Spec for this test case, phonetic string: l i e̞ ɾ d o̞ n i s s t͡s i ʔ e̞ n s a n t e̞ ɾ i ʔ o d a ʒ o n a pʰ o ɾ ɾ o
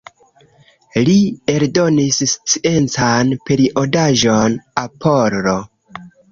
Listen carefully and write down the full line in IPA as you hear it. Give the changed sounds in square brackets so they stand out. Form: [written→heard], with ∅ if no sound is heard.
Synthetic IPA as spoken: l i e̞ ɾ d o̞ n i s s t͡s i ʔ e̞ n [s→t͡s] a n [t→p] e̞ ɾ i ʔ o d a ʒ o n a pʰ o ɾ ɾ o